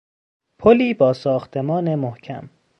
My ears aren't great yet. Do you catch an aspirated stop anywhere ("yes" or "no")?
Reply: yes